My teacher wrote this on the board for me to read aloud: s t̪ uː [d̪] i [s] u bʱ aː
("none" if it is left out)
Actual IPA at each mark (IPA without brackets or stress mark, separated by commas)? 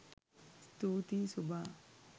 t̪, s